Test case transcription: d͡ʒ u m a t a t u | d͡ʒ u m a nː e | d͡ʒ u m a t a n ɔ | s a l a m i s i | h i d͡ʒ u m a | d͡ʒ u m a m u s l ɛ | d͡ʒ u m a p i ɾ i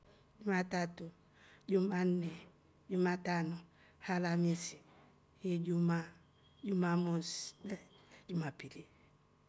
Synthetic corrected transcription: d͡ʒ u m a t a t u | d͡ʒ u m a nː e | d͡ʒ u m a t a n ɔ | h a l a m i s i | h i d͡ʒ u m a | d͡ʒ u m a m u s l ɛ | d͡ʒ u m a p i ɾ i

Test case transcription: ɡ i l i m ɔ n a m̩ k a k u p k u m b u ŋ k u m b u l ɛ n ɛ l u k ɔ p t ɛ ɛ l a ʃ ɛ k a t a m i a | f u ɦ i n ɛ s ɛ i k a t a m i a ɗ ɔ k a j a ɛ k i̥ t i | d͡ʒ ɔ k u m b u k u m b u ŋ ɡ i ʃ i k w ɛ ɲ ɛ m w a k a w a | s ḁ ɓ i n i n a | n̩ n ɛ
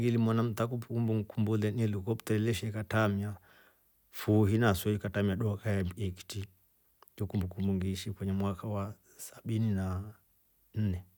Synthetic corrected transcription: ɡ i l i m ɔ n a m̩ t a k u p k u m b u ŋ k u m b u l ɛ n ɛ l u k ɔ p t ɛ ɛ l ɛ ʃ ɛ k a t a m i a | f u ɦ i n a s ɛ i k a t a m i a ɗ ɔ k a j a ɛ k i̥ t i | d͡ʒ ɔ k u m b u k u m b u ŋ ɡ i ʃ i k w ɛ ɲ ɛ m w a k a w a | s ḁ ɓ i n i n a | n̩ n ɛ

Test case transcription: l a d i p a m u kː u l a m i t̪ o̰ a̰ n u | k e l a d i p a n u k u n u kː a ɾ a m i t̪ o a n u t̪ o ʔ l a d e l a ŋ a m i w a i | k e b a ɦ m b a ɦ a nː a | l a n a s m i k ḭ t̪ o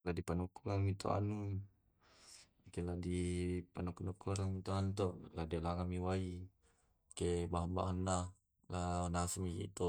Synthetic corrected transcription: l a d i p a n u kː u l a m i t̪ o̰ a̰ n u | k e l a d i p a n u k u n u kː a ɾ a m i t̪ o a n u t̪ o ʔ l a d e l a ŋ a m i w a i | k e b a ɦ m b a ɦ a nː a | l a n a s m i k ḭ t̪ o

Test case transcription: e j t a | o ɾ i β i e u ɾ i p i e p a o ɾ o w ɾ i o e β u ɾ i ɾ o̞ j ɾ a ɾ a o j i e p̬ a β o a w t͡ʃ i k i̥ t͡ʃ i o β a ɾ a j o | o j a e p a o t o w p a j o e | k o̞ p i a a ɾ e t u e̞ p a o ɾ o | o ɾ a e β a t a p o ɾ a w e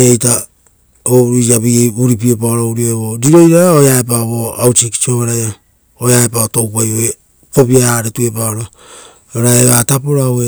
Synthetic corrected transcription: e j t a | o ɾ a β i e u ɾ i p i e p a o ɾ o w ɾ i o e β o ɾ i ɾ o̞ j ɾ a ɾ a o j a e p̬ a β o a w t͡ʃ i k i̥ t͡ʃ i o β a ɾ a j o | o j a e p a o t o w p a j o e | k o̞ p i a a ɾ e t u e̞ p a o ɾ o | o ɾ a e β a t a p o ɾ a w e

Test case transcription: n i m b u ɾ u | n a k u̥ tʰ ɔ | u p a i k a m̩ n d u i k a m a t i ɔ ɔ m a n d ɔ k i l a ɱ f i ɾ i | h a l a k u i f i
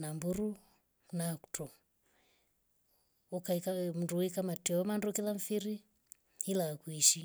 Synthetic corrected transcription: n a m b u ɾ u | n a k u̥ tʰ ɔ | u k a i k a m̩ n d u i k a m a t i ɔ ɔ m a n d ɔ k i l a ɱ f i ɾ i | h i l a k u i ʃ i

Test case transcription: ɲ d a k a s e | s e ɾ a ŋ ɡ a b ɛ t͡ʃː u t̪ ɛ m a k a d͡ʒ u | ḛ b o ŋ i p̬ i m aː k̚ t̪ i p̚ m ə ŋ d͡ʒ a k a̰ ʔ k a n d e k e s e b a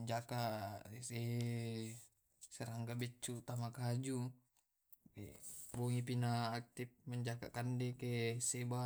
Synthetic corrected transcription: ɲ d͡ʒ a k a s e | s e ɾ a ŋ ɡ a b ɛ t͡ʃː u t̪ a m a k a d͡ʒ u | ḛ b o ŋ i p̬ i n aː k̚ t̪ i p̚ m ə ɲ d͡ʒ a k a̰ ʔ k a n d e k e s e b a

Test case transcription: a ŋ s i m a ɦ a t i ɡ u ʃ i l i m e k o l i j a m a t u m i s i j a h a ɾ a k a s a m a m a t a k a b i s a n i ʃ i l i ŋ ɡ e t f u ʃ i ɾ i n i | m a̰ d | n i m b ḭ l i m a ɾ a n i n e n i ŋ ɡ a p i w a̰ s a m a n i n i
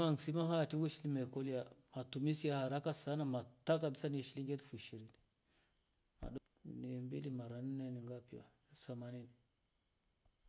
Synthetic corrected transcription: a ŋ s i m a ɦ a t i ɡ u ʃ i l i m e k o l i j a m a t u m i s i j a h a ɾ a k a s a n a m a t a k a b i s a n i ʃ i l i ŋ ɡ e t f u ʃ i ɾ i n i | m a̰ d | n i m b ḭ l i m a ɾ a n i n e n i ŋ ɡ a p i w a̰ s a m a n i n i

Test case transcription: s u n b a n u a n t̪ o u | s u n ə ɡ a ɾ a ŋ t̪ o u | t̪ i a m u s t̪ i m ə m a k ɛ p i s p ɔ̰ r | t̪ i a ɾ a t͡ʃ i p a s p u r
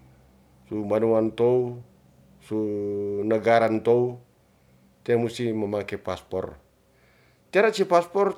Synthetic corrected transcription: s u m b a n u a n t̪ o u | s u n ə ɡ a ɾ a n t̪ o u | t̪ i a m u s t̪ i m ə m a k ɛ p a s p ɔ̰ r | t̪ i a ɾ a t͡ʃ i p a s p ɔ r

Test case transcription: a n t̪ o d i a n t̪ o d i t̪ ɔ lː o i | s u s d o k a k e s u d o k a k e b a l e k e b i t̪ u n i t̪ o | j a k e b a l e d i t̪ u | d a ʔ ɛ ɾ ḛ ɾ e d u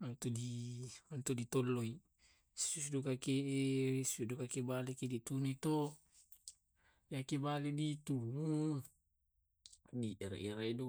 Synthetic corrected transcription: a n t̪ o d i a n t̪ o d i t̪ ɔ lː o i | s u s d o k a k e s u d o k a k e b a l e k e d i t̪ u n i t̪ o | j a k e b a l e d i t̪ u | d i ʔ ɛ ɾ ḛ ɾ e d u

